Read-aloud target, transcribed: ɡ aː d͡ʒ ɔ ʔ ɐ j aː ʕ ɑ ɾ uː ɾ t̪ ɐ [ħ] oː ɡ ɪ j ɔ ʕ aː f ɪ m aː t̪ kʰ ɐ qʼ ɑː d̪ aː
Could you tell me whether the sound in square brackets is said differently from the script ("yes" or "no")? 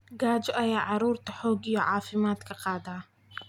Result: no